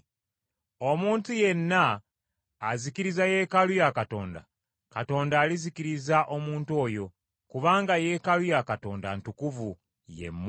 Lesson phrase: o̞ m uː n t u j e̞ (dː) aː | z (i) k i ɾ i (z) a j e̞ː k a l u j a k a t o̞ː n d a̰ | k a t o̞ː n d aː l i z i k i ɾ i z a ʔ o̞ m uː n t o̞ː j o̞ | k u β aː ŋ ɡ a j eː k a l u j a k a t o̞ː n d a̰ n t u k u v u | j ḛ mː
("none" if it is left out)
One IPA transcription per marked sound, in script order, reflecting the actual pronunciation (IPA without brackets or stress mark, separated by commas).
nː, i, z